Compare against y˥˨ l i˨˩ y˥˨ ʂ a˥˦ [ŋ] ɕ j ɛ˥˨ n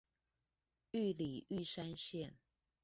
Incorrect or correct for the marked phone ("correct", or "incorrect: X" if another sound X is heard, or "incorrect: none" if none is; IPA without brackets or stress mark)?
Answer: incorrect: n